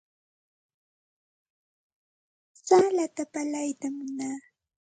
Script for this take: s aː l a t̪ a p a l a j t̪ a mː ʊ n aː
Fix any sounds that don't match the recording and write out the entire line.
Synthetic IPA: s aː l a t̪ a p a l a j t̪ a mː ʊ n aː

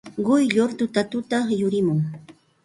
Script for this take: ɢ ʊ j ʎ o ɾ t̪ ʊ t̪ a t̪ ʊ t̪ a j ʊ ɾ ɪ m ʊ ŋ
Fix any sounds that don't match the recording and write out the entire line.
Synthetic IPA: ɢ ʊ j ʎ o ɾ t̪ ʊ t̪ a t̪ ʊ t̪ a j ʊ ɾ ɪ m ʊ ŋ

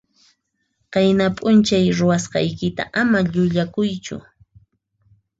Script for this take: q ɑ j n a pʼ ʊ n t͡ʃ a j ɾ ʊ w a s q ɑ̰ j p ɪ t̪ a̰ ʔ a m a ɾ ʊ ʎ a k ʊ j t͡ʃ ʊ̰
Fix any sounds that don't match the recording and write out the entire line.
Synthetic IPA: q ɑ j n a pʼ ʊ n t͡ʃ a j ɾ ʊ w a s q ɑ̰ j k ɪ t̪ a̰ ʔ a m a ʎ ʊ ʎ a k ʊ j t͡ʃ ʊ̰

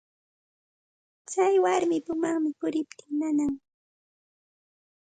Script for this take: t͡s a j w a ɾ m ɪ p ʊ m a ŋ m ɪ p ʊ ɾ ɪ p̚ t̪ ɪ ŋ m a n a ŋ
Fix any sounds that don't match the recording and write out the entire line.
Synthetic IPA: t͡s a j w a ɾ m ɪ p ʊ m a ŋ m ɪ p ʊ ɾ ɪ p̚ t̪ ɪ ŋ n a n a ŋ

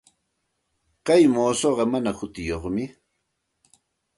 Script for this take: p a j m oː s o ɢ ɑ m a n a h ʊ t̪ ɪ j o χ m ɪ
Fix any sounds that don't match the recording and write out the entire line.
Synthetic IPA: k a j m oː s o ɢ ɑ m a n a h ʊ t̪ ɪ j o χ m ɪ

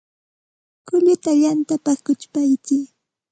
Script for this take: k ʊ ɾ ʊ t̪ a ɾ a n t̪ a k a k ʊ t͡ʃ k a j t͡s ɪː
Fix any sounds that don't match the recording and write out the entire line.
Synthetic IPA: k ʊ ʎ ʊ t̪ a ʎ a n t̪ a p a k ʊ t͡ʃ p a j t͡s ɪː

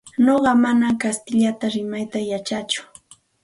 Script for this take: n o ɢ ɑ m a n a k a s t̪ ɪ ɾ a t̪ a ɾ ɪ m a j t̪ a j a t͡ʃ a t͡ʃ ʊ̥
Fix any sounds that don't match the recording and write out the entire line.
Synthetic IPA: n o ɢ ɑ m a n a k a s t̪ ɪ ʎ a t̪ a ɾ ɪ m a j t̪ a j a t͡ʃ a t͡ʃ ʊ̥

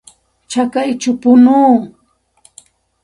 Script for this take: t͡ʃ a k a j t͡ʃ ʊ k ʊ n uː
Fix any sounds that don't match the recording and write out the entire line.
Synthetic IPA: t͡ʃ a k a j t͡ʃ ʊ p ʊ n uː

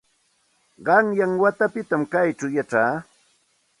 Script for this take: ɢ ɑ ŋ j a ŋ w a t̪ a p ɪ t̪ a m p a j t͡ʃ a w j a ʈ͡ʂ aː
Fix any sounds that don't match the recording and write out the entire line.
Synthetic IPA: ɢ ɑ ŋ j a ŋ w a t̪ a p ɪ t̪ a m k a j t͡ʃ a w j a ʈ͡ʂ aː

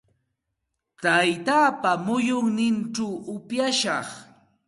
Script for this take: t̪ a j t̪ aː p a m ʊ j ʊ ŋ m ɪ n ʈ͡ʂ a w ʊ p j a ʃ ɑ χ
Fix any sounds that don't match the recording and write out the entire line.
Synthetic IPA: t̪ a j t̪ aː p a m ʊ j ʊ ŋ n ɪ n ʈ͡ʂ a w ʊ p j a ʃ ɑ χ

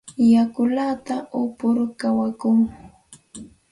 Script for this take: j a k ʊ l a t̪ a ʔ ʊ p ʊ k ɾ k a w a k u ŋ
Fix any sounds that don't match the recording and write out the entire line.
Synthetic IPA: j a k ʊ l a t̪ a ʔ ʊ p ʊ ɾ k a w a k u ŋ

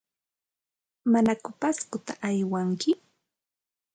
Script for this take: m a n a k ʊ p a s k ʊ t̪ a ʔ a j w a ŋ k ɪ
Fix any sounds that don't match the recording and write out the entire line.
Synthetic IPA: m a n a k ʊ p a s k ʊ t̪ a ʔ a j w a ŋ k ɪ

